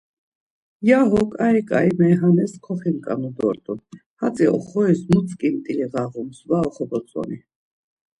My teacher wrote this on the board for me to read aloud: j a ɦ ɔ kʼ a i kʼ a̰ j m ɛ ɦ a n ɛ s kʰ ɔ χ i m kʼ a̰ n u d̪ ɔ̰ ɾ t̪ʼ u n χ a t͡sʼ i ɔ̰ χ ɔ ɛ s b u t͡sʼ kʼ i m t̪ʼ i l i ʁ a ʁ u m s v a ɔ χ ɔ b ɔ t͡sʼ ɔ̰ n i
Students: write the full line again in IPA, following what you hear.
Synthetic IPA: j a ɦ ɔ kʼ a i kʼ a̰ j m ɛ ɦ a n ɛ s kʰ ɔ χ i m kʼ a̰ n u d̪ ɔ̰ ɾ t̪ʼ u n h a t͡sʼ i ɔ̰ χ ɔ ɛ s m u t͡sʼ kʼ i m t̪ʼ i l i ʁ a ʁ u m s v a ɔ χ ɔ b ɔ t͡sʼ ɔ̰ n i